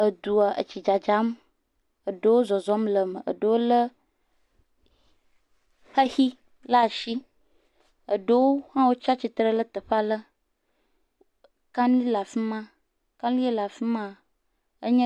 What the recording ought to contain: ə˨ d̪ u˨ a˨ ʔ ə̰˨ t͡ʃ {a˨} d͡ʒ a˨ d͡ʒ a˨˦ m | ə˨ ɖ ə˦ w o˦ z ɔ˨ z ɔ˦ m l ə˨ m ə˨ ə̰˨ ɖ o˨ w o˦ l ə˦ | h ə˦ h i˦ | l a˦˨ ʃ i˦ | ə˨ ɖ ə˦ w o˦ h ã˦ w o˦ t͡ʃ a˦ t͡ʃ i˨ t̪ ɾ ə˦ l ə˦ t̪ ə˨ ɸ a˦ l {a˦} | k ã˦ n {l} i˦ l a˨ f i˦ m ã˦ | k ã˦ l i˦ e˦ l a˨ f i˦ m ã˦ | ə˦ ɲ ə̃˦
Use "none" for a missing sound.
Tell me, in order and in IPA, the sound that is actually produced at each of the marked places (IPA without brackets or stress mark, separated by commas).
i˨, ə˦, l